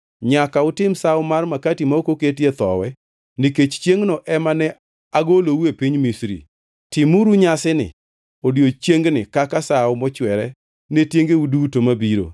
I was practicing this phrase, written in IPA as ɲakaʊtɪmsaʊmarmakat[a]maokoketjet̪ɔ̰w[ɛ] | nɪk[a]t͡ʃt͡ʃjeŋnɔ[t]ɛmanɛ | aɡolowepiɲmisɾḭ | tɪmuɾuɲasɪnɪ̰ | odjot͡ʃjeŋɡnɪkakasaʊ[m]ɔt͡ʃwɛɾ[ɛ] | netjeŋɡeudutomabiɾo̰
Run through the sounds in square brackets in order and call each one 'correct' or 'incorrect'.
incorrect: i, correct, incorrect: e, incorrect: ʔ, correct, correct

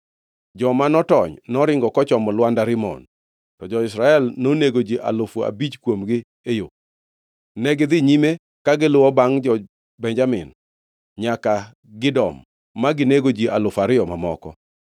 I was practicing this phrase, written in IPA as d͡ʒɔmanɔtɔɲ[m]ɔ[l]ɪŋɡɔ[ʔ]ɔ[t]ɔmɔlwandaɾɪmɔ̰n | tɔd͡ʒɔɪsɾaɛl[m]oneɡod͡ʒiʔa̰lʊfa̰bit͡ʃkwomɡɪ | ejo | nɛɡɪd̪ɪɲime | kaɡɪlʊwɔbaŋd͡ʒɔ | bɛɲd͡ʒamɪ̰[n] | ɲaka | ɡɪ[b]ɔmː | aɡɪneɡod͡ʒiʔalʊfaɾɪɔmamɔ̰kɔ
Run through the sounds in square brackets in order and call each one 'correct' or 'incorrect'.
incorrect: n, incorrect: ɾ, incorrect: k, incorrect: t͡ʃ, incorrect: n, correct, incorrect: d

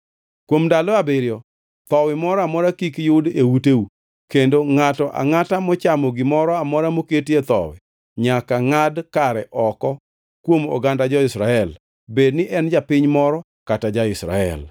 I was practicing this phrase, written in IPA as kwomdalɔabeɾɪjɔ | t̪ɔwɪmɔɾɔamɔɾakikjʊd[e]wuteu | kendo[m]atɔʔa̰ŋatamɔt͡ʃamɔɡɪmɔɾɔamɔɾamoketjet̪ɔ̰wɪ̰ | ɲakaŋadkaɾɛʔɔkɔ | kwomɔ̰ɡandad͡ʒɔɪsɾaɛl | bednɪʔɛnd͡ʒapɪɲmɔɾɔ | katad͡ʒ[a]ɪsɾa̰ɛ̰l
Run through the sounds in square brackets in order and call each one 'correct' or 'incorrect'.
correct, incorrect: ŋ, correct

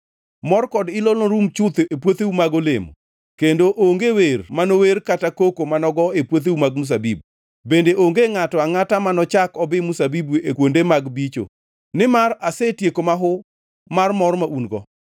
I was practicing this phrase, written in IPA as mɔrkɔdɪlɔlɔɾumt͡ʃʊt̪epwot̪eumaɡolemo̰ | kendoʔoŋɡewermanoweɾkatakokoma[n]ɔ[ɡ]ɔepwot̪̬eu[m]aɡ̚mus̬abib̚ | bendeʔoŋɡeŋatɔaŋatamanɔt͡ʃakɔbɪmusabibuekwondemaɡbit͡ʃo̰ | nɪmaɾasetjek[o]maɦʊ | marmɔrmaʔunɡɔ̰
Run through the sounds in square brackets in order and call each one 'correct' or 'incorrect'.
correct, correct, correct, correct

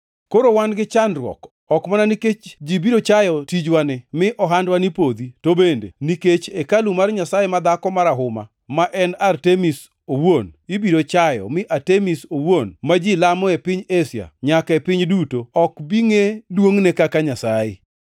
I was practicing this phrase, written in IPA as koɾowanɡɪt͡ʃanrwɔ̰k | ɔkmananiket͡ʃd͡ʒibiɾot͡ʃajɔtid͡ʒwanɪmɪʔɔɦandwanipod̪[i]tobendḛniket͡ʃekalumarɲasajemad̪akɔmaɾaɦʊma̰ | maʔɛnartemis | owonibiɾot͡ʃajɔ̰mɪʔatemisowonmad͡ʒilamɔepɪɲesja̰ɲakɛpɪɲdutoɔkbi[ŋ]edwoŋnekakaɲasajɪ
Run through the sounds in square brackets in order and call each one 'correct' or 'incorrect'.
correct, correct

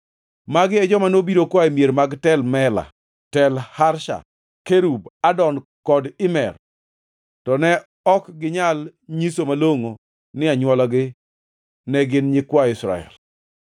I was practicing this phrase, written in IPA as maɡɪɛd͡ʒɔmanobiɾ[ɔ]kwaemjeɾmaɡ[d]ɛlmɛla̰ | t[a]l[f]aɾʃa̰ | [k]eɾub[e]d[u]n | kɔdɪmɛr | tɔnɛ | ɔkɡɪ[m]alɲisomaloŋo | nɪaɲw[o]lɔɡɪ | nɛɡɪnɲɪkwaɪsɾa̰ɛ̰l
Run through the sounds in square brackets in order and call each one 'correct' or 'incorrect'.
incorrect: o, incorrect: t, incorrect: ɛ, incorrect: h, correct, incorrect: a, incorrect: ɔ, incorrect: ɲ, incorrect: ɔ

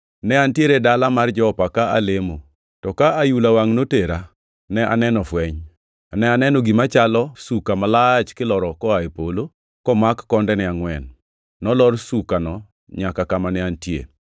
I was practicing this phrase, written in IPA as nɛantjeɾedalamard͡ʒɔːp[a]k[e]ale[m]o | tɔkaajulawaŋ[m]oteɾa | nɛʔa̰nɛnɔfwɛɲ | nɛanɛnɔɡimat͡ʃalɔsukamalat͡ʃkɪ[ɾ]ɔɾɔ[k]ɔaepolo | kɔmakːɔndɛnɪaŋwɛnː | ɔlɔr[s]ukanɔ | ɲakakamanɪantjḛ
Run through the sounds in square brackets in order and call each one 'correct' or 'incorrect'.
correct, incorrect: a, correct, incorrect: n, incorrect: l, correct, correct

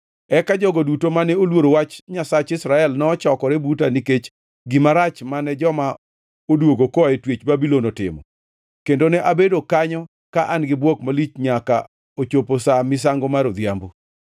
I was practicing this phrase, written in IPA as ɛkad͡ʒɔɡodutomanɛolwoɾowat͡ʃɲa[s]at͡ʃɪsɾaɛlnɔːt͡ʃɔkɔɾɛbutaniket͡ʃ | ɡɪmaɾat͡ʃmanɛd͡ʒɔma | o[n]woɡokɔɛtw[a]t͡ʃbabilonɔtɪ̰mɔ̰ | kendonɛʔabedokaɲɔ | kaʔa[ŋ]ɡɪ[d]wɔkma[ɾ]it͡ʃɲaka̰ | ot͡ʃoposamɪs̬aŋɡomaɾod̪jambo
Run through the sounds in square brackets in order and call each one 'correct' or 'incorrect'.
correct, incorrect: d, incorrect: e, incorrect: n, incorrect: b, incorrect: l

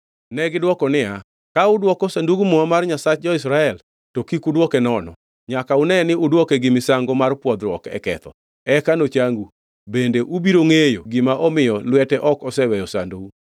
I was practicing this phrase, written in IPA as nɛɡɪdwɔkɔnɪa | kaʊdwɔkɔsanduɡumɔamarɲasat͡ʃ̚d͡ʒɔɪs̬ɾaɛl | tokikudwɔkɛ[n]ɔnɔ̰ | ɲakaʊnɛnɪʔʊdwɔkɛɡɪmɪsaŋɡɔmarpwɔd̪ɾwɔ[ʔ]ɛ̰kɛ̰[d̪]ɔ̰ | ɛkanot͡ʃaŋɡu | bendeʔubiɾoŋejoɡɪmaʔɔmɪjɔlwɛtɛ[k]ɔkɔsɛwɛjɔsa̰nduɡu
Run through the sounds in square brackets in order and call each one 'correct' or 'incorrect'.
correct, incorrect: k, incorrect: t̪, incorrect: ʔ

